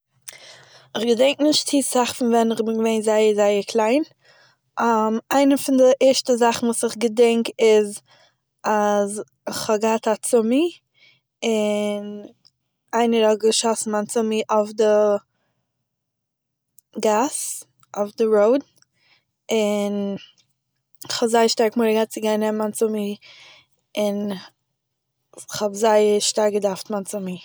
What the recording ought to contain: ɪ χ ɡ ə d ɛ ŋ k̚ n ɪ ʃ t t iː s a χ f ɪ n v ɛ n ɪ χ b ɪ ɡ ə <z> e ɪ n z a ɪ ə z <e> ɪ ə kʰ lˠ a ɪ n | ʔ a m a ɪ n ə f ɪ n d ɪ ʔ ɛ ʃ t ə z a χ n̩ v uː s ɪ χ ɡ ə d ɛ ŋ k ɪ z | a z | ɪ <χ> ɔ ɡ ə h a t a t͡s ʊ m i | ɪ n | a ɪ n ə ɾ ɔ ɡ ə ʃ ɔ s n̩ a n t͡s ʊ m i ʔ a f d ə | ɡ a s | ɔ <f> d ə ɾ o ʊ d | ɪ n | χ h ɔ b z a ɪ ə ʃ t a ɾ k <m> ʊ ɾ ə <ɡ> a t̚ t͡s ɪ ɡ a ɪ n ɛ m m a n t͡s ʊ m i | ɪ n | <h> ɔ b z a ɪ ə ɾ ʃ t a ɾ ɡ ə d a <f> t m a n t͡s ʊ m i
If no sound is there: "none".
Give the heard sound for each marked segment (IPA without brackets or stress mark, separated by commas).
v, a, χ, f, m, ɡ, χ, f